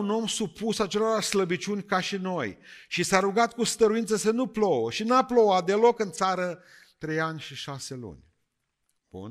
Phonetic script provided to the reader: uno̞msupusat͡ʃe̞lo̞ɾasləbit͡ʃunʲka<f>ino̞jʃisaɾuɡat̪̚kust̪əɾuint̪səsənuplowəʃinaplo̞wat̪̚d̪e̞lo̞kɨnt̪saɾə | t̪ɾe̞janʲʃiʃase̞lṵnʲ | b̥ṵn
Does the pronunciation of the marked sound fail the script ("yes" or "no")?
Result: yes